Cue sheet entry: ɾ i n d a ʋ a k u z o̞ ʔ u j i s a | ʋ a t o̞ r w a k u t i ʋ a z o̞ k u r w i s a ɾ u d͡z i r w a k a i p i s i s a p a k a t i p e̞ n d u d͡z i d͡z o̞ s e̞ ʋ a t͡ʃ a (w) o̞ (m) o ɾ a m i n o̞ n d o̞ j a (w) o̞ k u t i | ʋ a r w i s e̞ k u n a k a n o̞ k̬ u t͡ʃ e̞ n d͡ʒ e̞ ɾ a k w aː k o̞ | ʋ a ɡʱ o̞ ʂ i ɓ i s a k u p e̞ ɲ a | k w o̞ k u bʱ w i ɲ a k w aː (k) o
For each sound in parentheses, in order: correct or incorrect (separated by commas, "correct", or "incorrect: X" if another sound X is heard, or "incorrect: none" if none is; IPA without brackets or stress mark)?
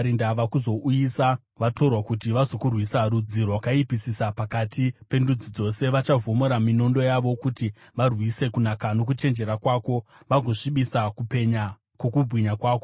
incorrect: v, correct, incorrect: ʋ, correct